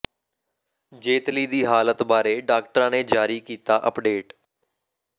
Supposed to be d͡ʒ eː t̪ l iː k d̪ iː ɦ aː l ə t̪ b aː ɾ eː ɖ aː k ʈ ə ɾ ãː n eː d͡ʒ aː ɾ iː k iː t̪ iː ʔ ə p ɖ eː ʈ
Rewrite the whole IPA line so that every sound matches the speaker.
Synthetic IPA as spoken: d͡ʒ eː t̪ l iː d̪ iː ɦ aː l ə t̪ b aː ɾ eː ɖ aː k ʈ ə ɾ ãː n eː d͡ʒ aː ɾ iː k iː t̪ aː ʔ ə p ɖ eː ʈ